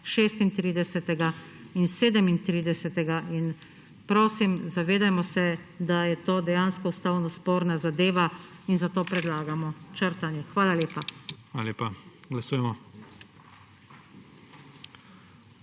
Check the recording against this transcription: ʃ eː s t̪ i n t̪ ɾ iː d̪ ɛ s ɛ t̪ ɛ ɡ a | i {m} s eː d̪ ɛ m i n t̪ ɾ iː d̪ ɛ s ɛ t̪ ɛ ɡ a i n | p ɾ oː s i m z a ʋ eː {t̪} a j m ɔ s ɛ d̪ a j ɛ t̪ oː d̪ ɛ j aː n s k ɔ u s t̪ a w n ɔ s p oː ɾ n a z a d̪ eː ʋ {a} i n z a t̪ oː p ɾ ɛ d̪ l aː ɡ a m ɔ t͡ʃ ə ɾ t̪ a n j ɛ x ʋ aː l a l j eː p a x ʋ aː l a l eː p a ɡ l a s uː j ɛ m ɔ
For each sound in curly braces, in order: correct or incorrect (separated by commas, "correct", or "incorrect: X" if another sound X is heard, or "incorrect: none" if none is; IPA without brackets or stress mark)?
incorrect: n, incorrect: d̪, correct